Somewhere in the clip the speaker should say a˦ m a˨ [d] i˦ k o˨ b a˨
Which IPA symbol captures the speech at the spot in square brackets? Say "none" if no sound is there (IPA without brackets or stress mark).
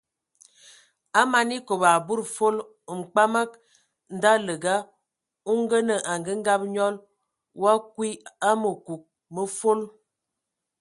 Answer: n